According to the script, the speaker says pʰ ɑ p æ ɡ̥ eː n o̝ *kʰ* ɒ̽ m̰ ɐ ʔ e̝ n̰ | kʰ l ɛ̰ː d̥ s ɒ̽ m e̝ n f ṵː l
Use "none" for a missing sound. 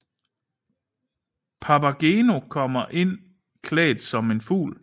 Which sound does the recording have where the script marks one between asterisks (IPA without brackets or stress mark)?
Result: kʰ